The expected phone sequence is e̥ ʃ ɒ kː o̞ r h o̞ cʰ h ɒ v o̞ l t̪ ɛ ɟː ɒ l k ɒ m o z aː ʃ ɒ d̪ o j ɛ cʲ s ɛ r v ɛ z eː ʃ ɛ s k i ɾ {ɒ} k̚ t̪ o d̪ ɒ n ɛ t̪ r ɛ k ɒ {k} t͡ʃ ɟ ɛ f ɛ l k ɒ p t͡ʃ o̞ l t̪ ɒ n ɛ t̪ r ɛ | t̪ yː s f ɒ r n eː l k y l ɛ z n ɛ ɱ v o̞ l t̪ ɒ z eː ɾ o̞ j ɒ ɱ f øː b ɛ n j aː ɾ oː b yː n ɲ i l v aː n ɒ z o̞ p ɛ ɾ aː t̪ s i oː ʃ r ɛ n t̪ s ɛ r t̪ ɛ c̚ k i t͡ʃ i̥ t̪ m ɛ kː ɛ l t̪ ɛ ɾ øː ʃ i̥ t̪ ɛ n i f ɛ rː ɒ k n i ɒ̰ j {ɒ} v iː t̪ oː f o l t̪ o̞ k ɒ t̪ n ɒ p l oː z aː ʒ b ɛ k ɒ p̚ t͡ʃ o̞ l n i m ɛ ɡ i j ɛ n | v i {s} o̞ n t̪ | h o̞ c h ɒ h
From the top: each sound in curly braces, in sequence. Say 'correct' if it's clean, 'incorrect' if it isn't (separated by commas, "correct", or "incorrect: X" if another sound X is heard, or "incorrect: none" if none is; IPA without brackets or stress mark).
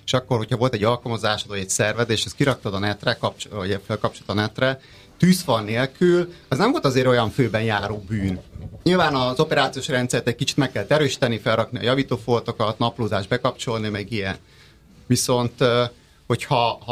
correct, incorrect: p, correct, correct